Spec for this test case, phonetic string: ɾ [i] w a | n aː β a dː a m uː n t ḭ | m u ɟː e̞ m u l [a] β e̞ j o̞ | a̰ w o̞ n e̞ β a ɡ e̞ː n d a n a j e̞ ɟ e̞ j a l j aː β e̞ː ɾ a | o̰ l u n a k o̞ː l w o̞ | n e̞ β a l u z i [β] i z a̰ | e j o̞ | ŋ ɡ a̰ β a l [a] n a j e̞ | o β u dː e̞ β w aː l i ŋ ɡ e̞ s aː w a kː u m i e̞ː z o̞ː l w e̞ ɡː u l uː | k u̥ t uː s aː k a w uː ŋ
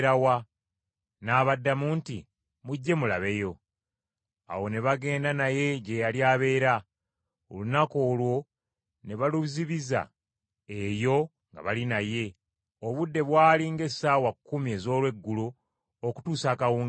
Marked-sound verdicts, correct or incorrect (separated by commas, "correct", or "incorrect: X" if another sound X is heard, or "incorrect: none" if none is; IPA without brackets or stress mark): incorrect: a, correct, correct, incorrect: i